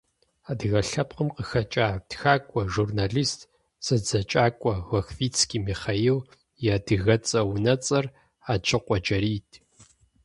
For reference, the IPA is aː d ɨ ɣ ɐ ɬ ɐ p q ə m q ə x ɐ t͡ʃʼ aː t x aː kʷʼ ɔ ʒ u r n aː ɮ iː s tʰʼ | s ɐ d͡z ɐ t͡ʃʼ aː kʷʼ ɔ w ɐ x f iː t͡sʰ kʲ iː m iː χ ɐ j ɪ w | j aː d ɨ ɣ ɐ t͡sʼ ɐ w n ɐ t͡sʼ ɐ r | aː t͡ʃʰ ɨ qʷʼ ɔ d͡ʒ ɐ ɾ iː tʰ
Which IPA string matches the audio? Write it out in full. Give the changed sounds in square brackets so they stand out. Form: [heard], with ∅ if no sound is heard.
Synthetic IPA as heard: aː d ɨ ɣ ɐ ɬ ɐ p q ə m q ə x ɐ t͡ʃʼ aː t x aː kʷʼ ɔ ʒ u r n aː ɮ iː s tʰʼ | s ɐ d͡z ɐ t͡ʃʼ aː kʷʼ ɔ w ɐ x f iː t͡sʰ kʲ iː m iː χ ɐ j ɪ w | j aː d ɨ ɣ ɐ t͡sʼ ɐ w n ɐ t͡sʼ ɐ r | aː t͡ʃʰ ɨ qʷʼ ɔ d͡ʒ ɐ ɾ iː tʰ